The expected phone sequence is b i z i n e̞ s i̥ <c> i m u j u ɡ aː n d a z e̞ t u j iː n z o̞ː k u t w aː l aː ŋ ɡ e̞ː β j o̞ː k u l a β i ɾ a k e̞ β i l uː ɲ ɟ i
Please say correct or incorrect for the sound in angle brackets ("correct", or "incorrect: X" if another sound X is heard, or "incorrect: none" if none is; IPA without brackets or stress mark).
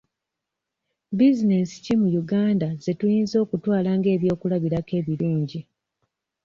correct